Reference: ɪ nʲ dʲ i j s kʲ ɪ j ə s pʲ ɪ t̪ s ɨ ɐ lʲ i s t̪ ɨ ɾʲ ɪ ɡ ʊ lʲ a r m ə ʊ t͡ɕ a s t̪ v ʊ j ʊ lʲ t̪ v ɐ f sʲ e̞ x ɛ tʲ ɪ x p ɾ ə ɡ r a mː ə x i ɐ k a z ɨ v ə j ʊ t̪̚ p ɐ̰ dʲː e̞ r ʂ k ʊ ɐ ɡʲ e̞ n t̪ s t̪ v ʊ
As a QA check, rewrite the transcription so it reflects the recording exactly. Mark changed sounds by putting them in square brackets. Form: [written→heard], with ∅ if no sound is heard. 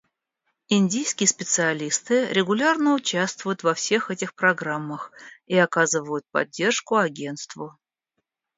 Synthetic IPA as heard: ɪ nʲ dʲ i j s kʲ ɪ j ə s pʲ ɪ t̪ s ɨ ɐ lʲ i s t̪ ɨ ɾʲ ɪ ɡ ʊ lʲ a r [m→n] ə ʊ t͡ɕ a s t̪ v ʊ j ʊ [lʲ→∅] t̪ v ɐ f sʲ e̞ x ɛ tʲ ɪ x p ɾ [ə→ɐ] ɡ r a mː ə x i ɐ k a z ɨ v ə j ʊ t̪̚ p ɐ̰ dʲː e̞ r ʂ k ʊ ɐ ɡʲ e̞ n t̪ s t̪ v ʊ